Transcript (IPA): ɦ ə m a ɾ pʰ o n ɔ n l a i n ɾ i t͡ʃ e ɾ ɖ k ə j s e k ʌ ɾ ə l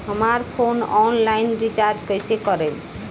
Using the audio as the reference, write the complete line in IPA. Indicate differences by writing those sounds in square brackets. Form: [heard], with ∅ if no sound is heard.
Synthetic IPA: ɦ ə m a ɾ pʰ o n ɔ n l a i n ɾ i t͡ʃ [a] ɾ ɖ k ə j s e k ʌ ɾ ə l